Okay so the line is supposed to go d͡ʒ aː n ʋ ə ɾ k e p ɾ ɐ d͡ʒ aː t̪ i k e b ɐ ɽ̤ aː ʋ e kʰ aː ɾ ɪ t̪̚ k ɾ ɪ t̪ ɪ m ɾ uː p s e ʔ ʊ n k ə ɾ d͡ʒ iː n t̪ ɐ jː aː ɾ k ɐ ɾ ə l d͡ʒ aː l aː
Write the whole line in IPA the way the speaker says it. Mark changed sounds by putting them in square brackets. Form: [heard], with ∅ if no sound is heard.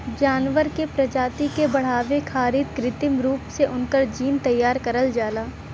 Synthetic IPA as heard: d͡ʒ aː n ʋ ə ɾ k e p ɾ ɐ d͡ʒ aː t̪ i k e b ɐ ɽ̤ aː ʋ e kʰ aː ɾ ɪ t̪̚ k ɾ ɪ t̪ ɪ m ɾ uː p s e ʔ ʊ n k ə ɾ d͡ʒ iː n t̪ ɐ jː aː ɾ k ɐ ɾ ə l d͡ʒ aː l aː

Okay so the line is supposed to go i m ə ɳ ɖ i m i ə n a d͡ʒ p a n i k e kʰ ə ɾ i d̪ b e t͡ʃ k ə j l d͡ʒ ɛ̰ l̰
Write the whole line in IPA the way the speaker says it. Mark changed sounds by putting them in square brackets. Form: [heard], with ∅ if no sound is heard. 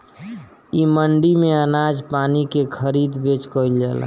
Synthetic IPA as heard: i m ə ɳ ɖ i m [e] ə n a d͡ʒ p a n i k e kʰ ə ɾ i d̪ b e t͡ʃ k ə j l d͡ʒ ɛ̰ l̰

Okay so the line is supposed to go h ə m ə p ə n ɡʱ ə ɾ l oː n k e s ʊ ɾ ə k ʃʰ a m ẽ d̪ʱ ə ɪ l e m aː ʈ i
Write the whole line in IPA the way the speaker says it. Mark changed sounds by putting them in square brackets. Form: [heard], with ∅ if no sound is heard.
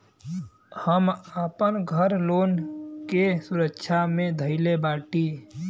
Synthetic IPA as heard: h ə m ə p ə n ɡʱ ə ɾ l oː n k e s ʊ ɾ ə k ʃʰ a m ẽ d̪ʱ ə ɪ l e [b] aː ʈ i

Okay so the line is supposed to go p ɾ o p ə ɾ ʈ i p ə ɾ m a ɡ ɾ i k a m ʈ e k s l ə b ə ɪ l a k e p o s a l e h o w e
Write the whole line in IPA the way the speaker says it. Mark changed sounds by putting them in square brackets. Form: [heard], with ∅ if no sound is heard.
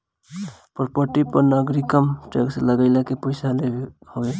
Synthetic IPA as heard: p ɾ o p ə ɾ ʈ i p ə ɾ [n] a ɡ ɾ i k [ə] m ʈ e k s l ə [ɡ] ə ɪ l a k e p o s a l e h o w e

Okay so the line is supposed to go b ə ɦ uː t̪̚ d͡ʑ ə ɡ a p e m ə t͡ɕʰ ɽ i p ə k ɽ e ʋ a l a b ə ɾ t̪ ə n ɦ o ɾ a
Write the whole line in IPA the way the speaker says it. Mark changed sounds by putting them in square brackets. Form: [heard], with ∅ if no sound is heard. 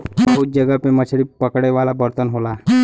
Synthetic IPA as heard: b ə ɦ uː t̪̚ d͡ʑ ə ɡ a p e m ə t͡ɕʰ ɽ i p ə k ɽ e ʋ a l a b ə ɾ t̪ ə n ɦ o [l] a

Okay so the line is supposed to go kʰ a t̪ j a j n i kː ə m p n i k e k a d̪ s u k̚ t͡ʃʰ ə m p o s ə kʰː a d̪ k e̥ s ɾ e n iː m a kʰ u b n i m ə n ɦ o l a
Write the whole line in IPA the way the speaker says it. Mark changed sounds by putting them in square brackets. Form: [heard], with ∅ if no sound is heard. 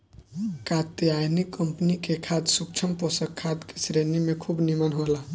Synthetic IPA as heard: [k] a t̪ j a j n i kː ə m p n i k e [kʰ] a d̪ s u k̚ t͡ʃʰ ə m p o s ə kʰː a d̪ k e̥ s ɾ e n [i] m [e] kʰ u b n i m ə n ɦ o l a

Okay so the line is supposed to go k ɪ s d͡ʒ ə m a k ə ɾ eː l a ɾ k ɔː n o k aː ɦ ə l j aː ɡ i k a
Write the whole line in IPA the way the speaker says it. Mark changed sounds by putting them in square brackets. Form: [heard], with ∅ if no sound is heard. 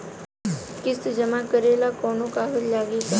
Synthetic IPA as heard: k ɪ s d͡ʒ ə m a k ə ɾ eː l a [∅] k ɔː n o k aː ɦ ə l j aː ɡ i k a

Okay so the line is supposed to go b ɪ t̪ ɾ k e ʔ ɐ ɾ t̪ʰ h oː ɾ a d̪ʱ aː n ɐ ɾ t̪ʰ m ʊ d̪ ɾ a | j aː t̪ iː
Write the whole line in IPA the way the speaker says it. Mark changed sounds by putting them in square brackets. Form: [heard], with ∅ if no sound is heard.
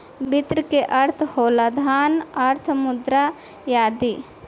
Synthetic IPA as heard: b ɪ t̪ ɾ k e ʔ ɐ ɾ t̪ʰ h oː [l] a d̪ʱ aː n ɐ ɾ t̪ʰ m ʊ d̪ ɾ a | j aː [d̪] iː

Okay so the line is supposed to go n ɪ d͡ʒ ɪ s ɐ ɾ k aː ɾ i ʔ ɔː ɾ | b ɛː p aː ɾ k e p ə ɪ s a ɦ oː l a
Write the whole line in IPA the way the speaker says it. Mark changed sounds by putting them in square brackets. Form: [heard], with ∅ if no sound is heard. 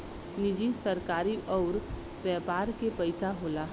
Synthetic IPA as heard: n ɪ d͡ʒ [i] s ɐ ɾ k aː ɾ i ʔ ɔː ɾ | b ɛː p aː ɾ k e p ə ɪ s a ɦ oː l a

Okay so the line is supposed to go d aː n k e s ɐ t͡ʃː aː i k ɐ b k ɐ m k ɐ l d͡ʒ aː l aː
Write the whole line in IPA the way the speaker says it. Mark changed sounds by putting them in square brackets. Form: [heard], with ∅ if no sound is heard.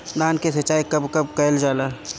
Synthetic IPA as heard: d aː n k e s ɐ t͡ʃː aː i k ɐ b k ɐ [b] k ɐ l d͡ʒ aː l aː

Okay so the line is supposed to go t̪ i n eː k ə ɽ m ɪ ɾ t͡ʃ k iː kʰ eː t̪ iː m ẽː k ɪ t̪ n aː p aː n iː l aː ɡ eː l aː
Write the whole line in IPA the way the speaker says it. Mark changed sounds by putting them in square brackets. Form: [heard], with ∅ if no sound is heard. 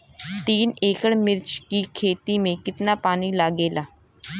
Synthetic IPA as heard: t̪ [iː] n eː k ə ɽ m ɪ ɾ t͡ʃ k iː kʰ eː t̪ iː m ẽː k ɪ t̪ n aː p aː n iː l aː ɡ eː l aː

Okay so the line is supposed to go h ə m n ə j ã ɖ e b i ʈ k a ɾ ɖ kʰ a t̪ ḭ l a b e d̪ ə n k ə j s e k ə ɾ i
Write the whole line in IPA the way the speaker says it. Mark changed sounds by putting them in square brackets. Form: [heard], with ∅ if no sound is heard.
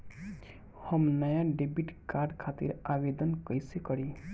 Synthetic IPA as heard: h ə m n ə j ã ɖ e b i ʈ k a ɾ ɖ kʰ a t̪ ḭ [ɾ] a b e d̪ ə n k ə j s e k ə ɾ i

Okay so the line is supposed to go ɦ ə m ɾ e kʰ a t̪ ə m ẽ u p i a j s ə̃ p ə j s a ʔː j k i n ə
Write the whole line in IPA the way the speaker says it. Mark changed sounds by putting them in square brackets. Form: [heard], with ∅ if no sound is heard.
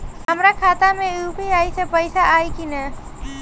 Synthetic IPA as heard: ɦ ə m ɾ [a] kʰ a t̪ [a] m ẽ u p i a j s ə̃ p ə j s a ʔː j k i n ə

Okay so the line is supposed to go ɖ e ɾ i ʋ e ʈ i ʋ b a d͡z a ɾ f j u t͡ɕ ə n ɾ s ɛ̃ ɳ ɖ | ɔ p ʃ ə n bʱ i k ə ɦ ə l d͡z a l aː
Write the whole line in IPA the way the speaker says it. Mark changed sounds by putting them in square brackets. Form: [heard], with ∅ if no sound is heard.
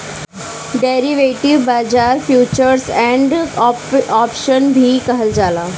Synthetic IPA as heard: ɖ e ɾ i ʋ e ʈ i ʋ b a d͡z a ɾ f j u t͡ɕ ə [∅] ɾ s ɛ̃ ɳ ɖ | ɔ p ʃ ə n bʱ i k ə ɦ ə l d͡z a l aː

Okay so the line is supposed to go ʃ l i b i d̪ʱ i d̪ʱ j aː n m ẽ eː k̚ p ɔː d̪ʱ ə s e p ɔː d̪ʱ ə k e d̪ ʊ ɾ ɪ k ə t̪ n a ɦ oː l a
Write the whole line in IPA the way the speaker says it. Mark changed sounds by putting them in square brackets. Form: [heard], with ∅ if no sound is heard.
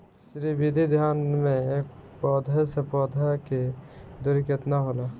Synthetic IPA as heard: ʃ [ɾ] i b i d̪ʱ i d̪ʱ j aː n m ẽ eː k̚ p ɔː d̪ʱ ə s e p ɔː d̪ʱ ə k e d̪ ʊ ɾ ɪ k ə t̪ n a ɦ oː l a

